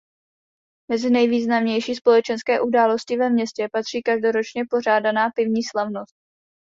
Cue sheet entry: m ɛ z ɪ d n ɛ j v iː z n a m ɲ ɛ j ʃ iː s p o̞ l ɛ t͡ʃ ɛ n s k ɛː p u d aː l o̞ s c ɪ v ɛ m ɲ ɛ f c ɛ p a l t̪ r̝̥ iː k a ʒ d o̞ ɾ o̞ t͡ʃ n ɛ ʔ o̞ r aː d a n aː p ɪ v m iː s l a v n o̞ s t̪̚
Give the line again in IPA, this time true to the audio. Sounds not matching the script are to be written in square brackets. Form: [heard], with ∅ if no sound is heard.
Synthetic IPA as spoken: m ɛ z ɪ [∅] n ɛ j v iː z n a m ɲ ɛ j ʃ iː s p o̞ l ɛ t͡ʃ ɛ n s k ɛː [ʔ] u d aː l o̞ s c ɪ v ɛ m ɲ ɛ [s] c ɛ p a [∅] t̪ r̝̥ iː k a ʒ d o̞ ɾ o̞ t͡ʃ [ɲ] ɛ [p] o̞ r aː d a n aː p ɪ v [ɲ] iː s l a v n o̞ s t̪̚